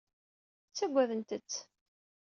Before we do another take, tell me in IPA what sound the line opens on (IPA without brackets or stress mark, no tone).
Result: t͡sː